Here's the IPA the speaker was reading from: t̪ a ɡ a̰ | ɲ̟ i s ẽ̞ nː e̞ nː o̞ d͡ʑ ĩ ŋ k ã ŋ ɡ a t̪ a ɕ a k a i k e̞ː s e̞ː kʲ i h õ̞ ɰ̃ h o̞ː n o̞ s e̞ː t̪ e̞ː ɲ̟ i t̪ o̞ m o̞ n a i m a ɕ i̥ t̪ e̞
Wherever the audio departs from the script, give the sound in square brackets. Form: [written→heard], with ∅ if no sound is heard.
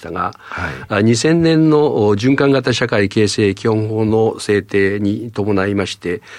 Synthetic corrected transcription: t̪ a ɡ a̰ | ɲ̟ i s ẽ̞ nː [e̞→ẽ̞] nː o̞ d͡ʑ [ĩ→ɨ̃] ŋ k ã ŋ ɡ a t̪ a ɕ a k a i k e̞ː s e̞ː kʲ i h õ̞ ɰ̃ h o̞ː n o̞ s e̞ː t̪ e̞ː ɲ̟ i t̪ o̞ m o̞ n a i m a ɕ i̥ t̪ e̞